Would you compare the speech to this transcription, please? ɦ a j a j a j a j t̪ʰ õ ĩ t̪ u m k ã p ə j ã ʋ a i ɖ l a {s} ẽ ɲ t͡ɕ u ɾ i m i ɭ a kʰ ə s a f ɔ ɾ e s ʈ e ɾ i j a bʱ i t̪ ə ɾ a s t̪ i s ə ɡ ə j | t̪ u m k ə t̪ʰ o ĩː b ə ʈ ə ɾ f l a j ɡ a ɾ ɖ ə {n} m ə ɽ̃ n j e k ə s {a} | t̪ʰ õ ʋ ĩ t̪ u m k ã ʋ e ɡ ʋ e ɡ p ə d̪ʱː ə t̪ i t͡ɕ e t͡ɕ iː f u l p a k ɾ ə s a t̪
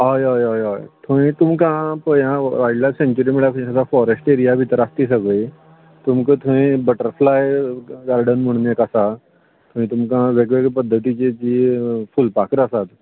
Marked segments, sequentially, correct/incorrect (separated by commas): correct, correct, correct